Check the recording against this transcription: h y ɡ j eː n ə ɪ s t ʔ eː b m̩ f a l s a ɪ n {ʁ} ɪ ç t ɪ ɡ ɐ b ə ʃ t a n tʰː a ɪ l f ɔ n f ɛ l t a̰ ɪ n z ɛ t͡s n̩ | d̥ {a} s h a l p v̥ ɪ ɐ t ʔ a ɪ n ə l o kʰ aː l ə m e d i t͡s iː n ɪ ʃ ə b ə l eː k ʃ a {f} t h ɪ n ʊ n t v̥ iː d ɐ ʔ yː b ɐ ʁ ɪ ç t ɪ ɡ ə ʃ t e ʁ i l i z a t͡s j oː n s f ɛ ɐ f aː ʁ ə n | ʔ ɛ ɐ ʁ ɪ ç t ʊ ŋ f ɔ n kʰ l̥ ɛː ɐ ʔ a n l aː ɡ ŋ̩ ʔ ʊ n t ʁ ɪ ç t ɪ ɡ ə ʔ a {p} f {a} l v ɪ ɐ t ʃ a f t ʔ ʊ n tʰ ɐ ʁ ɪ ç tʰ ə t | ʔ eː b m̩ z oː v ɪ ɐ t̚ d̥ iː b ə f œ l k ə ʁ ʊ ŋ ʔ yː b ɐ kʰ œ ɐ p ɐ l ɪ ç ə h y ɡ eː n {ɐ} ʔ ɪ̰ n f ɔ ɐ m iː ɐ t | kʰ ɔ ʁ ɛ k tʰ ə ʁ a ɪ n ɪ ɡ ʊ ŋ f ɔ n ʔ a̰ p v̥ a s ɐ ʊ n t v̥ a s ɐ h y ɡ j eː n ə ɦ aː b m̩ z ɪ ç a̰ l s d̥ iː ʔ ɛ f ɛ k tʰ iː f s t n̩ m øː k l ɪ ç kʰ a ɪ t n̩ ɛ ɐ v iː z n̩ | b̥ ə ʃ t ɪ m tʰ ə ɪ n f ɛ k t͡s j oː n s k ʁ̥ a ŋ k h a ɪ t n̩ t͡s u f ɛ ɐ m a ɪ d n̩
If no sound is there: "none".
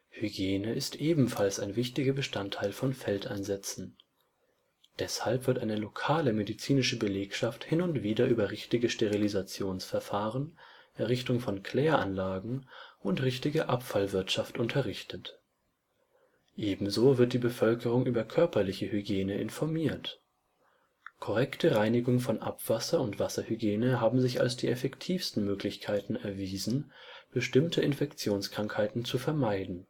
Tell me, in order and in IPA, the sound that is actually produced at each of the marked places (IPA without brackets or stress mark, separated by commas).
v, ɛ, f, p, a, ə